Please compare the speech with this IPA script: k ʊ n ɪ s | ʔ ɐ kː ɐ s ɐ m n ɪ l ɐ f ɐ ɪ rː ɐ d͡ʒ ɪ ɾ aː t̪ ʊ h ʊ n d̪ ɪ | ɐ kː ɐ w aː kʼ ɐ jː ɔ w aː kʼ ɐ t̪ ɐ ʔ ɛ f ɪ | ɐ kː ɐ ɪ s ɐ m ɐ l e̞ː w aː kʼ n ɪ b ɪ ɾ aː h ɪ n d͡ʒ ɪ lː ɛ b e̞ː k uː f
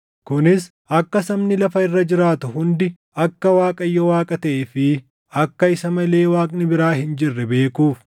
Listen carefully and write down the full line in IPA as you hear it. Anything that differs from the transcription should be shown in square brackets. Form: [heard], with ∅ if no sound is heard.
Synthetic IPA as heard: k ʊ n ɪ s | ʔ ɐ kː ɐ s ɐ m n ɪ l ɐ f ɐ ɪ rː ɐ d͡ʒ ɪ ɾ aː t̪ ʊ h ʊ n d̪ ɪ | ɐ kː ɐ w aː kʼ ɐ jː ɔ w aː kʼ ɐ t̪ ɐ ʔ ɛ f ɪ | ɐ kː ɐ ɪ s ɐ m ɐ l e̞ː w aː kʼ n ɪ b ɪ ɾ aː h ɪ n d͡ʒ ɪ [rː] ɛ b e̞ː k uː f